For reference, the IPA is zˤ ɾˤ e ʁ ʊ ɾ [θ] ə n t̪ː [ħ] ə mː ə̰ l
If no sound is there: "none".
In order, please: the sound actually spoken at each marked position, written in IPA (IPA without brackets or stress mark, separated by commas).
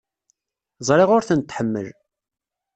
θ, ħ